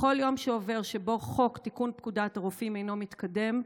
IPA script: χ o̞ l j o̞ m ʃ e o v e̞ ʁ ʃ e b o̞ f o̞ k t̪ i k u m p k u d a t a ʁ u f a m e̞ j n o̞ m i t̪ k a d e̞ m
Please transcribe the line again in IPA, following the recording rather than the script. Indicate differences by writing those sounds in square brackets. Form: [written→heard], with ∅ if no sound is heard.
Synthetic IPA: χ o̞ l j o̞ m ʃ e o v e̞ ʁ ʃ e b o̞ [f→χ] o̞ k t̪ i k u [m→n] p k u d a t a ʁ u f [a→i] m e̞ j n o̞ m i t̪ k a d e̞ m